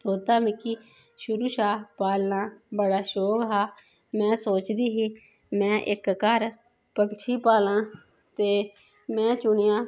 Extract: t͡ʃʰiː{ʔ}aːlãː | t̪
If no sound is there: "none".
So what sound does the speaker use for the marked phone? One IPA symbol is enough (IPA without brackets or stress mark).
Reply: p